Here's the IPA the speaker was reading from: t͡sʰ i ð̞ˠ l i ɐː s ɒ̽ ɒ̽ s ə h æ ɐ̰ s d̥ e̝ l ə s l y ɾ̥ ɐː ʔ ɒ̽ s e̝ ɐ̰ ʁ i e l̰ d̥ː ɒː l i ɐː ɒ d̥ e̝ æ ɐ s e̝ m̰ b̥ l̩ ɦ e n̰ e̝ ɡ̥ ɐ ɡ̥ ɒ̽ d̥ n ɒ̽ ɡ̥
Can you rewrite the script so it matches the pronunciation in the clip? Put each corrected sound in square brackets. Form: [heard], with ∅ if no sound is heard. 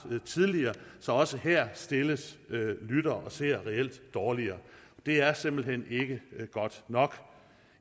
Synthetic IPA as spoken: t͡sʰ i ð̞ˠ l i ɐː s ɒ̽ ɒ̽ s ə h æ ɐ̰ s d̥ e̝ l ə s l y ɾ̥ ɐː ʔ ɒ̽ s e̝ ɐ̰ ʁ [ɛ] e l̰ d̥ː ɒː l i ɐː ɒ d̥ e̝ æ ɐ s e̝ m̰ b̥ l̩ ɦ e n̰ e̝ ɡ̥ [ə] ɡ̥ ɒ̽ d̥ n ɒ̽ ɡ̥